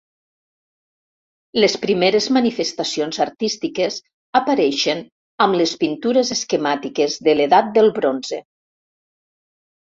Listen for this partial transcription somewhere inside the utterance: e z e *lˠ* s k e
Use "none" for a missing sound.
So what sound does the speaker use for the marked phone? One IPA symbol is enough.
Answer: none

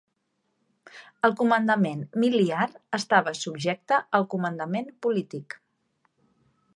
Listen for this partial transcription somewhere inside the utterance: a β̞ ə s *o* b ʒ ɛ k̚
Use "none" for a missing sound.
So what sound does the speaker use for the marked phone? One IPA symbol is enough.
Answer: u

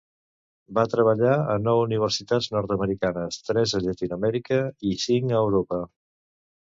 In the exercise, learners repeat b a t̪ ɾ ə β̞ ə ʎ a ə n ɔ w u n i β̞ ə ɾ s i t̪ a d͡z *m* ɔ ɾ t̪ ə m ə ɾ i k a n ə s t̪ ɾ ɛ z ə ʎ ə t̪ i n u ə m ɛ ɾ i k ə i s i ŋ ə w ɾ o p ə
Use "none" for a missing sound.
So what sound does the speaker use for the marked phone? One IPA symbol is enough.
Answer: n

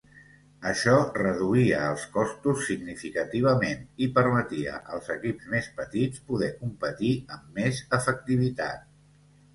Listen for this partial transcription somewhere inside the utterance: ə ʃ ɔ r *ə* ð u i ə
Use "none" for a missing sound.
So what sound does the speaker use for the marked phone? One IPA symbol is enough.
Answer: ə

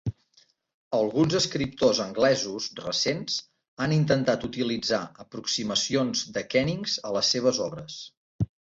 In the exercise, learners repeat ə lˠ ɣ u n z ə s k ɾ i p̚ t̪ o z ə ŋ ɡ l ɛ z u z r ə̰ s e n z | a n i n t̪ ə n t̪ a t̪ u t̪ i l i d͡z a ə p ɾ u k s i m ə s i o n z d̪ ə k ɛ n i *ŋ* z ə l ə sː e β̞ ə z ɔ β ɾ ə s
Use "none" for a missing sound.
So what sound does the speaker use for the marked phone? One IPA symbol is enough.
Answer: ŋ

